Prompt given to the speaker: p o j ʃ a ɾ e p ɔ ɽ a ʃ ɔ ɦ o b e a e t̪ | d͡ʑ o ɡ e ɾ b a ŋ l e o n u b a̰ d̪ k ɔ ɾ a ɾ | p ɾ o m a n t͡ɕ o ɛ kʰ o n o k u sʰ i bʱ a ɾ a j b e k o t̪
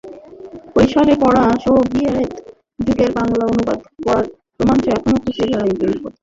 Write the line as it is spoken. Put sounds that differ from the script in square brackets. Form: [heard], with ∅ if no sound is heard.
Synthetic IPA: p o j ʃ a ɾ e p ɔ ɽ a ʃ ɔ ɦ o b [i] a e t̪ | d͡ʑ [u] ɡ e ɾ b a ŋ l [a] o n u b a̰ d̪ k ɔ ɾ a ɾ | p ɾ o m a n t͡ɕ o ɛ kʰ o n o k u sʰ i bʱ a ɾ a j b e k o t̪